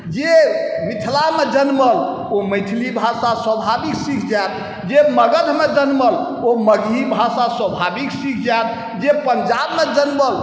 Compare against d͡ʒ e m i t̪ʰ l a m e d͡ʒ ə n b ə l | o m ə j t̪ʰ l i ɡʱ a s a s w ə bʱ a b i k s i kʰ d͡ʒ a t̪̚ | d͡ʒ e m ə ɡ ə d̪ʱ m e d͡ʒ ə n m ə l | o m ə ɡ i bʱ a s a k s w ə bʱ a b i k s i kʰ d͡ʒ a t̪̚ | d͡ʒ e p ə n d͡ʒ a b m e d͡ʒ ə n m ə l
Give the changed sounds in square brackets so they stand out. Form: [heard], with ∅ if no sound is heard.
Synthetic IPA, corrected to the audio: d͡ʒ e m i t̪ʰ l a m e d͡ʒ ə n [m] ə l | o m ə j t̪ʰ l i [bʱ] a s a s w ə bʱ a b i k s i kʰ d͡ʒ a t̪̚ | d͡ʒ e m ə ɡ ə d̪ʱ m e d͡ʒ ə n m ə l | o m ə ɡ i bʱ a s a [∅] s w ə bʱ a b i k s i kʰ d͡ʒ a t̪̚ | d͡ʒ e p ə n d͡ʒ a b m e d͡ʒ ə n m ə l